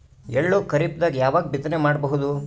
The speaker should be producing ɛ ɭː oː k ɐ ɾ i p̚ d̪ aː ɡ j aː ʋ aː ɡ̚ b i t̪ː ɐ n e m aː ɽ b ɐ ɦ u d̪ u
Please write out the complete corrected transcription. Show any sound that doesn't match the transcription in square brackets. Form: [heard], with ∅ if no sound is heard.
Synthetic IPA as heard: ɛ ɭː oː k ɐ ɾ i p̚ d̪ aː ɡ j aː ʋ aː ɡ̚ b i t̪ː ɐ n e m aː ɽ b ɐ ɦ u d̪ u